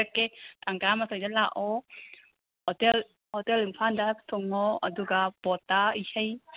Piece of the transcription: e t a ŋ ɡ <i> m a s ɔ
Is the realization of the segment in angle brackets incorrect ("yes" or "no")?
yes